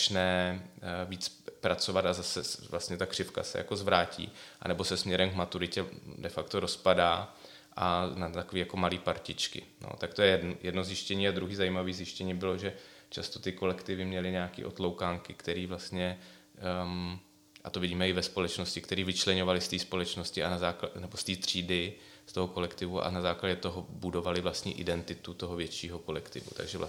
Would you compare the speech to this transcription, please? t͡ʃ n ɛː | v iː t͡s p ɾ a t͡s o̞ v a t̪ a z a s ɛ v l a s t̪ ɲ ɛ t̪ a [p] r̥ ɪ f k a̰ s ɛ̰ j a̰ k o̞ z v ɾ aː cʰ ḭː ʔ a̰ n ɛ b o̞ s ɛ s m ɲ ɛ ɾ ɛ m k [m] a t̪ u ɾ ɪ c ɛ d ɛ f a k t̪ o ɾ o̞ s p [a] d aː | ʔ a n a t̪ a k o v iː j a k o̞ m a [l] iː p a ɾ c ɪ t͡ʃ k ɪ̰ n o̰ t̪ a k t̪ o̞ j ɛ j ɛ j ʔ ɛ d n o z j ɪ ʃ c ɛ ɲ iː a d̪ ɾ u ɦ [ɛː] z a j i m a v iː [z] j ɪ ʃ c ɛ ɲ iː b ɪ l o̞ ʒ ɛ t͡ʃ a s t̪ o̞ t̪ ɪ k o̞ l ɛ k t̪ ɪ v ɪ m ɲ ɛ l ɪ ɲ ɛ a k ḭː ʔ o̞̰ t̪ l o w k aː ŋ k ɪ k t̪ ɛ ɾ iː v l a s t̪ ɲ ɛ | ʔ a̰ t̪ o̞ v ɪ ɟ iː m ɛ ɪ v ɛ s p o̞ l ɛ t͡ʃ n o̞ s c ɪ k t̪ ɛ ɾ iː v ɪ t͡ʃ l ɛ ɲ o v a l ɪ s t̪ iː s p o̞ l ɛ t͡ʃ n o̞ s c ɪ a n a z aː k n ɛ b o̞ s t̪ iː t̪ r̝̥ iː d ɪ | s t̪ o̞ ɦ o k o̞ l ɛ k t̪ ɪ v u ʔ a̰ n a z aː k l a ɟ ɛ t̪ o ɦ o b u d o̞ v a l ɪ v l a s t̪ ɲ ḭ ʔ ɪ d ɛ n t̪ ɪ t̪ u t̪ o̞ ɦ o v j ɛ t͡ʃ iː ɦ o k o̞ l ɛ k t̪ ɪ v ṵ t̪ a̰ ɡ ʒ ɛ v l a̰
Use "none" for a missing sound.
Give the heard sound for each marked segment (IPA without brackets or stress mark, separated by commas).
k, m, a, l, iː, z